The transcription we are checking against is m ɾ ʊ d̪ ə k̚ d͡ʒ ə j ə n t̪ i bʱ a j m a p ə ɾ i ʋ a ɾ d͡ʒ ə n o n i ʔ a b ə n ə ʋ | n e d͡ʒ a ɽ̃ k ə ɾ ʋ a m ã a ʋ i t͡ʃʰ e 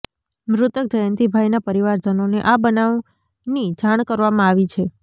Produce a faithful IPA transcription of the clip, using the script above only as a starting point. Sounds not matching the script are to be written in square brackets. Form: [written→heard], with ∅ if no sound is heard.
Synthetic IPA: m ɾ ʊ [d̪→t̪] ə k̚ d͡ʒ ə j ə n t̪ i bʱ a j [m→n] a p ə ɾ i ʋ a ɾ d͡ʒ ə n o n [i→e] ʔ a b ə n [ə→a] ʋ | n [e→i] d͡ʒ a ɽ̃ k ə ɾ ʋ a m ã a ʋ i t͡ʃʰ e